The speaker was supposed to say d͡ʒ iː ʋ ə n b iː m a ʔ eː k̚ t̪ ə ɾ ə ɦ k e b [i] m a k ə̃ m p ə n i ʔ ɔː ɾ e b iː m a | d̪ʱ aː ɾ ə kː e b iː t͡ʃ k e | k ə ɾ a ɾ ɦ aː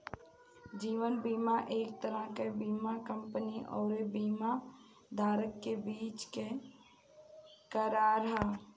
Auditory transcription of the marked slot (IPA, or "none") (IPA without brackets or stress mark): iː